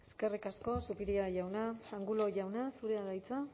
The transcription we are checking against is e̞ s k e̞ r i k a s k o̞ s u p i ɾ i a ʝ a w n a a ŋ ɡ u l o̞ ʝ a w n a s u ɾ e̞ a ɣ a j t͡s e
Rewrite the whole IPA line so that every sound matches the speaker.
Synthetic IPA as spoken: e̞ s k e̞ r i k a s k o̞ s u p i ɾ i a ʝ a w n a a ŋ ɡ u l o̞ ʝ a w n a s u ɾ e̞ a ð a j t͡s a